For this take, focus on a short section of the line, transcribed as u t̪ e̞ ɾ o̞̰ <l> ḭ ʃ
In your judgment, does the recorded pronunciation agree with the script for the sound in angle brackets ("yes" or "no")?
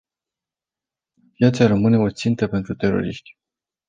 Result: no